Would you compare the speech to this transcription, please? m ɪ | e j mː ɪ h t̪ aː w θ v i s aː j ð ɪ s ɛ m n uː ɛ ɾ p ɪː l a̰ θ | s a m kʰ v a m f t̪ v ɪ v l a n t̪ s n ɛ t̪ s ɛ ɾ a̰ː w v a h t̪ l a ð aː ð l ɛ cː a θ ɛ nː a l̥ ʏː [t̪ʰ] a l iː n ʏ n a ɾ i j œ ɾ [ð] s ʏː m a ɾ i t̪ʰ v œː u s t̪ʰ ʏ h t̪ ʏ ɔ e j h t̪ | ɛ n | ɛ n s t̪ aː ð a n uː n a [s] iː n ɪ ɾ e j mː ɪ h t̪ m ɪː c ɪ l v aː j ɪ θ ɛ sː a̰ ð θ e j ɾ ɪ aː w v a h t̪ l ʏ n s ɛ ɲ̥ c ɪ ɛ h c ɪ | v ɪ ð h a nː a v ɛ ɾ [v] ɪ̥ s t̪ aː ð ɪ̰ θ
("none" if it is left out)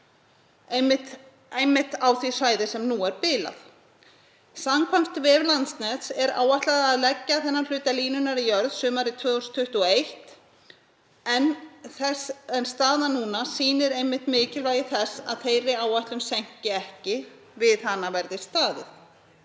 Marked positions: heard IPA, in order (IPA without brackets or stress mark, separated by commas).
t̪, ð, s, ð